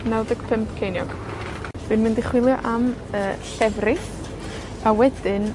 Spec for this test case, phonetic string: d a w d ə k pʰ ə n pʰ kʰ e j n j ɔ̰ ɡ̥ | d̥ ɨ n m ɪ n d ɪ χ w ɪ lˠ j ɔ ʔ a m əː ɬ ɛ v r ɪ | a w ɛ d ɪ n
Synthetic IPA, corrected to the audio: n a w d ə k pʰ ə m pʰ kʰ e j n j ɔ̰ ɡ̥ | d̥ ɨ n m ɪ n d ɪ χ w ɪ lˠ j ɔ ʔ a m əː ɬ ɛ v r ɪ | a w ɛ d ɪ n